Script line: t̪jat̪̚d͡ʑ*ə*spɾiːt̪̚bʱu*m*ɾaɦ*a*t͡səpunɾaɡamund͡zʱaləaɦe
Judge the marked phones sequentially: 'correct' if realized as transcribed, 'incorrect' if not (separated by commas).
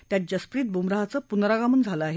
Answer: correct, correct, correct